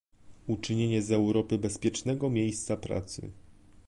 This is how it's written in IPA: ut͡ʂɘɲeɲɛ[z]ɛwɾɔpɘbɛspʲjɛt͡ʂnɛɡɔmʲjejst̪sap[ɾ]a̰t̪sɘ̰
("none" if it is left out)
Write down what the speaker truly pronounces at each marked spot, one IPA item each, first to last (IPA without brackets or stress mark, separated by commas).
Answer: z, ɾ